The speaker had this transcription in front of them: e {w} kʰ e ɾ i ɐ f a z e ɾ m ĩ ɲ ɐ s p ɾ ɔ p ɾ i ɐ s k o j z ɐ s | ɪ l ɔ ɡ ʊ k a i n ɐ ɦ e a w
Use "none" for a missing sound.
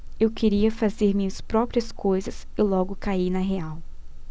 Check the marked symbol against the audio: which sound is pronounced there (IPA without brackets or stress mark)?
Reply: w